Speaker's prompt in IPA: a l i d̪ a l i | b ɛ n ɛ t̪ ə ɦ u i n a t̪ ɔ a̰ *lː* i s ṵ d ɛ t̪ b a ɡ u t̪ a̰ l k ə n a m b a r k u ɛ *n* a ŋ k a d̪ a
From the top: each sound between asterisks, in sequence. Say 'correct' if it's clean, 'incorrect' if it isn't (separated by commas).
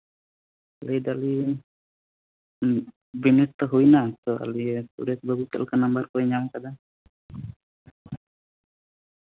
incorrect, incorrect